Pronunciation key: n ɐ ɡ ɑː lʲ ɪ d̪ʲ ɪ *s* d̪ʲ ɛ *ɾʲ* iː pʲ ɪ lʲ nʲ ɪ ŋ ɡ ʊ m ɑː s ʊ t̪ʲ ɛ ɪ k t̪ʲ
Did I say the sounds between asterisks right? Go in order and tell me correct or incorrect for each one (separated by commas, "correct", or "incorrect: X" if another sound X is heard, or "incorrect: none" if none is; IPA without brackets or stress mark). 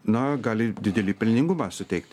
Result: incorrect: none, incorrect: lʲ